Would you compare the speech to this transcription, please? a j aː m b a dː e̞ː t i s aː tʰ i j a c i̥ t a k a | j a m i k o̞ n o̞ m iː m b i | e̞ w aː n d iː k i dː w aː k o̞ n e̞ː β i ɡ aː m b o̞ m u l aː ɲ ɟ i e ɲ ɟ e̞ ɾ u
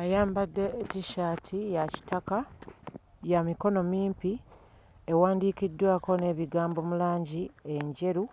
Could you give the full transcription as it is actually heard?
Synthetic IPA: a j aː m b a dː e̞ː t i ʃ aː tʰ i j a c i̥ t a k a | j a m i k o̞ n o̞ m iː m p i | e̞ w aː n d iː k i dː w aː k o̞ n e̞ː β i ɡ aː m b o̞ m u l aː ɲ ɟ i e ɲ ɟ e̞ ɾ u